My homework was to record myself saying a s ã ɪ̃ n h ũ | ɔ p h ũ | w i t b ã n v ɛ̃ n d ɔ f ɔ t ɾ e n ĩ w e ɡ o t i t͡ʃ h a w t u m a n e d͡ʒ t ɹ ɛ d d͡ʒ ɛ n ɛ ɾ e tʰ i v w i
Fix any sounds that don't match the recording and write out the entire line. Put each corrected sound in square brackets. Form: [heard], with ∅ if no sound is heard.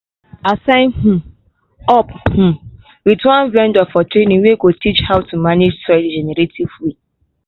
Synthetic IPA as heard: a s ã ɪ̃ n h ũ | ɔ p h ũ | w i t [w] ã n v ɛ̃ n d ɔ f ɔ t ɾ e n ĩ w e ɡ o t i t͡ʃ h a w t u m a n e d͡ʒ t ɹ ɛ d d͡ʒ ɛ n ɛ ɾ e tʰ i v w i